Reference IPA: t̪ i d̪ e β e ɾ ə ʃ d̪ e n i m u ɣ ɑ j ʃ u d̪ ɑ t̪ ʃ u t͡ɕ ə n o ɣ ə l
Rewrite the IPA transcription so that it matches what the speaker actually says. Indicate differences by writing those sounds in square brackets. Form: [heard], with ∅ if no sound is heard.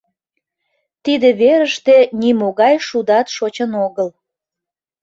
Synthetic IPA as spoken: t̪ i d̪ e β e ɾ ə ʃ [t̪] e n i m [o] ɣ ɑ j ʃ u d̪ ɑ t̪ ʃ [o] t͡ɕ ə n o ɣ ə l